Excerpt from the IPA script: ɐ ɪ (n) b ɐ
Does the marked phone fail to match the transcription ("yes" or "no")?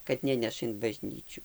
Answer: no